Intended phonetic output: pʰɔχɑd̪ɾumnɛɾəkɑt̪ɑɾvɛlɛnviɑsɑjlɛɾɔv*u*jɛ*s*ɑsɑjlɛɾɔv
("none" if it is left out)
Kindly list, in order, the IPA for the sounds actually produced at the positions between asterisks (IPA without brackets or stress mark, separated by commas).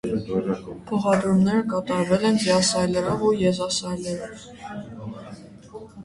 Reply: u, z